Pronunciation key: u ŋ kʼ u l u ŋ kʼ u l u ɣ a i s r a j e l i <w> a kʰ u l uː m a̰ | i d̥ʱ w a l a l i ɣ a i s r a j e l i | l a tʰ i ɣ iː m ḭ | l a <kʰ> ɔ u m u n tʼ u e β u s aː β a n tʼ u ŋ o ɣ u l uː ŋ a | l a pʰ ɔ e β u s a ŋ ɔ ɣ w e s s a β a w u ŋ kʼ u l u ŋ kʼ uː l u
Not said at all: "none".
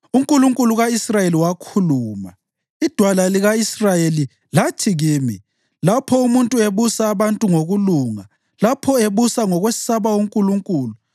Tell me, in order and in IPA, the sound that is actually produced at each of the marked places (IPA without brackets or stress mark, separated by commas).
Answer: w, pʰ